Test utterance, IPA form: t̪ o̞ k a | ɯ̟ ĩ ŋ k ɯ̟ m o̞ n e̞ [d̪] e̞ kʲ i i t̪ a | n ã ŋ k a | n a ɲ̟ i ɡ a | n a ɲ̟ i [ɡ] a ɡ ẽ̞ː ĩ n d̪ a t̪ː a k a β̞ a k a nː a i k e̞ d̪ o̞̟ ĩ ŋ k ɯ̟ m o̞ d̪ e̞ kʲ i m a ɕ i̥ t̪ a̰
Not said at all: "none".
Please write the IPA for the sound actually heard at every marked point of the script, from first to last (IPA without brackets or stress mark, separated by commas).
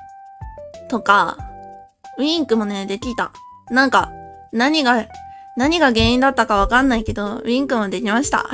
d̪, ɡ